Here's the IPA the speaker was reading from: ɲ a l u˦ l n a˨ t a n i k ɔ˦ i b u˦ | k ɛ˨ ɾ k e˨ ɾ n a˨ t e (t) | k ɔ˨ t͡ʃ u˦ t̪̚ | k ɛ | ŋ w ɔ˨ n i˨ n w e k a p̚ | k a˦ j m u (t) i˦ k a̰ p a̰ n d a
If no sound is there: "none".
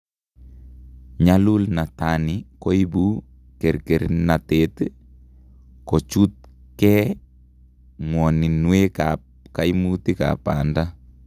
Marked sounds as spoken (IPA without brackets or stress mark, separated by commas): t, t